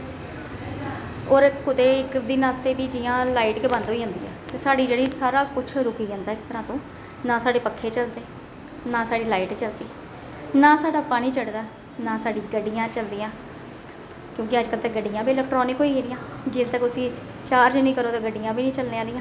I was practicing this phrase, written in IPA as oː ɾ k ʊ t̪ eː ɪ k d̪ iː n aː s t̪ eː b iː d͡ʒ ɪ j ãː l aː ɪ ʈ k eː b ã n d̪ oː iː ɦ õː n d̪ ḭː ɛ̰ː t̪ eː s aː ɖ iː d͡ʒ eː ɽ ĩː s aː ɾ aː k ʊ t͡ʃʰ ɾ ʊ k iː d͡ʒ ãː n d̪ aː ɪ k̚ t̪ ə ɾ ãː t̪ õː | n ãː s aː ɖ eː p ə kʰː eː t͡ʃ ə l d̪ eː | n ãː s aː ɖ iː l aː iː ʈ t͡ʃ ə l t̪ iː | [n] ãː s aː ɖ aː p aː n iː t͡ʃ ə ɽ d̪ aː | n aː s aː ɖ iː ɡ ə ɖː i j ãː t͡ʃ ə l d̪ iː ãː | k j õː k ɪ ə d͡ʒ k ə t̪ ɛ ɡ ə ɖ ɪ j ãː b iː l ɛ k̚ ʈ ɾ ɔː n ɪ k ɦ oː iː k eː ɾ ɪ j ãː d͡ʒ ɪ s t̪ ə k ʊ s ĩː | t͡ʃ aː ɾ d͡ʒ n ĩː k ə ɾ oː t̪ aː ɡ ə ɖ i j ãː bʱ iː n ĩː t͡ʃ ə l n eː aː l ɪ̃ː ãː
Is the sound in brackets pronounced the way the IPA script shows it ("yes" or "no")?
yes